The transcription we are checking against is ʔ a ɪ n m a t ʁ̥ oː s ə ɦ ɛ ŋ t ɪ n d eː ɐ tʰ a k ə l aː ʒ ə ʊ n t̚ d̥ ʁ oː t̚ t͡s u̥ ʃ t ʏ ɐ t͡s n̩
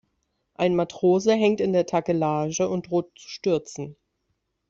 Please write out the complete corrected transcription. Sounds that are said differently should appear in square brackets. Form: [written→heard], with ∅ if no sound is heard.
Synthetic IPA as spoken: ʔ a ɪ n m a t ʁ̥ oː [s→z] ə ɦ ɛ ŋ t ɪ n d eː ɐ tʰ a k ə l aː ʒ ə ʊ n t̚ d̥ ʁ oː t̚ t͡s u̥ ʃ t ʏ ɐ t͡s n̩